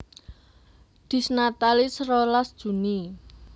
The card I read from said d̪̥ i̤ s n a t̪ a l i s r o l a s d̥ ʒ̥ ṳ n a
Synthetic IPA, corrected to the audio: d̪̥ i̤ s n a t̪ a l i s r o l a s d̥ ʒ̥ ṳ n i

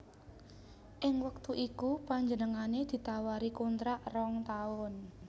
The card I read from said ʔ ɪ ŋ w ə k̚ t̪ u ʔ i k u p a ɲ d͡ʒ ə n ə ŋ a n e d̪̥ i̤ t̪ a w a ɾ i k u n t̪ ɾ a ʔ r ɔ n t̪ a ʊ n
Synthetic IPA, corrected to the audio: ʔ ɪ ŋ w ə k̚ t̪ u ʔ i k u p a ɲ d͡ʒ ə n ə ŋ a n e d̪̥ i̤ t̪ a w a ɾ i k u n t̪ ɾ a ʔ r ɔ ŋ t̪ a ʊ n

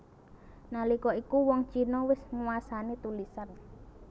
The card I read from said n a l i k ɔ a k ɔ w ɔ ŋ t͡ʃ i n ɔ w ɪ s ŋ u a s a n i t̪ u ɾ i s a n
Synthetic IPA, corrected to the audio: n a l i k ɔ i k u w ɔ ŋ t͡ʃ i n ɔ w ɪ s ŋ u a s a n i t̪ u l i s a n

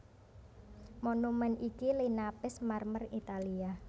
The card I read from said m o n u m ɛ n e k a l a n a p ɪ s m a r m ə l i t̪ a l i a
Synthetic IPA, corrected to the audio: m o n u m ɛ n i k i l i n a p ɪ s m a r m ə r i t̪ a l i a

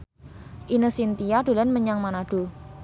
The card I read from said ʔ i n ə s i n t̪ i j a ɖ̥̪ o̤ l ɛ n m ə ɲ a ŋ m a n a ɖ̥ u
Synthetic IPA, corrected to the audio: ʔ i n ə s i n t̪ i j a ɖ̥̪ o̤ l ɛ n m ə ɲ a ŋ m a n a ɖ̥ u

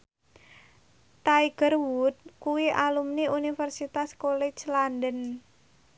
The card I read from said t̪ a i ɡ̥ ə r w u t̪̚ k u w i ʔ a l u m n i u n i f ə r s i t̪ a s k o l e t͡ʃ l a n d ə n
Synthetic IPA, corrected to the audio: t̪ a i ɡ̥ ə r w u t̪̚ k u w i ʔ a l u m n i u n i f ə r s i t̪ a s k o l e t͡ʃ l a n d ə n

